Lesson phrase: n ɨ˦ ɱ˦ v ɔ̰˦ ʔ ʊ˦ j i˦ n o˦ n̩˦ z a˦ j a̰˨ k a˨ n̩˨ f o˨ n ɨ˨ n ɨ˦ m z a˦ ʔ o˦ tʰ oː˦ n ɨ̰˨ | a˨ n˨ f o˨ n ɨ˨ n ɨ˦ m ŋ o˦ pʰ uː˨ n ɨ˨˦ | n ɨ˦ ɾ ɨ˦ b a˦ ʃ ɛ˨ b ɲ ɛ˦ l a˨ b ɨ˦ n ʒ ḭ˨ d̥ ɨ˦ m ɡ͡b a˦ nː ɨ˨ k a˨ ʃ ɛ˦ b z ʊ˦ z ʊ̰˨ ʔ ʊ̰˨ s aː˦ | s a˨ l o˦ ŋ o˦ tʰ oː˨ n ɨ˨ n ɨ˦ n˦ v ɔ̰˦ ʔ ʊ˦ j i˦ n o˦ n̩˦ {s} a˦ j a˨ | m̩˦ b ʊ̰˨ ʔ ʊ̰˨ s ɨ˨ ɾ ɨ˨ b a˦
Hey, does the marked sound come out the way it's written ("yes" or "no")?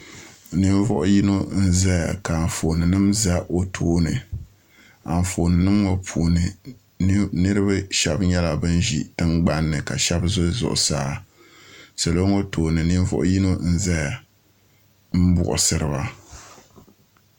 no